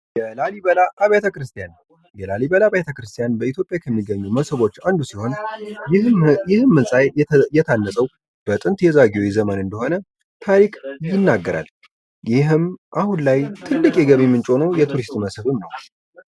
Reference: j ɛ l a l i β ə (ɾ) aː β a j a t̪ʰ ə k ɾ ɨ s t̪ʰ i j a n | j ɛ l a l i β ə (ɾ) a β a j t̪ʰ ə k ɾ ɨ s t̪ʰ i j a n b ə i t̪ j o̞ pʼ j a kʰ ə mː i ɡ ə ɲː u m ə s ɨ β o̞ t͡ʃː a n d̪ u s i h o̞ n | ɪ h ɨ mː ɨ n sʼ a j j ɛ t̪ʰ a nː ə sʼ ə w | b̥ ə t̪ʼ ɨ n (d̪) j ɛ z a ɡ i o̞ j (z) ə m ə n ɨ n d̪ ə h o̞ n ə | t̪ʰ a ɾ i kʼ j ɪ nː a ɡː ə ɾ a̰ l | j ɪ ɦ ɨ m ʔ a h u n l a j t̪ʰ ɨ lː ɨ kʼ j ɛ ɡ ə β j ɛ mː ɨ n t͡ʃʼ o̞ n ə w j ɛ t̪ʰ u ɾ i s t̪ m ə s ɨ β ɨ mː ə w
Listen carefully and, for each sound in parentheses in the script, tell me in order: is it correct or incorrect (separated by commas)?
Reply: incorrect, incorrect, incorrect, correct